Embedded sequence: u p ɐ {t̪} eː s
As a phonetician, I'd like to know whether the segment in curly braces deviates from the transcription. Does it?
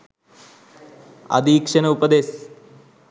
yes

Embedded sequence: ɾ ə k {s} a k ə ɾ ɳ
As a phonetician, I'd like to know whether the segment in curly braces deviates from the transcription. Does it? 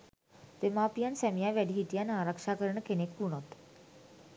yes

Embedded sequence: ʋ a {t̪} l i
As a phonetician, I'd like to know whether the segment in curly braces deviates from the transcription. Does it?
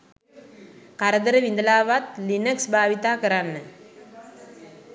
no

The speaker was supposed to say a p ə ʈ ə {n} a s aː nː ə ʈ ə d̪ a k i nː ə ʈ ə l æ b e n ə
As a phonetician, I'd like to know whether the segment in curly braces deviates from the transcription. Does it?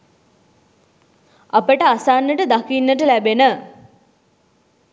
yes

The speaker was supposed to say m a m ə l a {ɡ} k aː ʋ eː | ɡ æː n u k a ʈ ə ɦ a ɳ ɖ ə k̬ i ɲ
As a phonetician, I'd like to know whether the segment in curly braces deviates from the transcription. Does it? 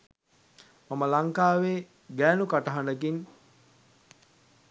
yes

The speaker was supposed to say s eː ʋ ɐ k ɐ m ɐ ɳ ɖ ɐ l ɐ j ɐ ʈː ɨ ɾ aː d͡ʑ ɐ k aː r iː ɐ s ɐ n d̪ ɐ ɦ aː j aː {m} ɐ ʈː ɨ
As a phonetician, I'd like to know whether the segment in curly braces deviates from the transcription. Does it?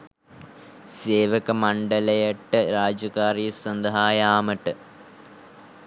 no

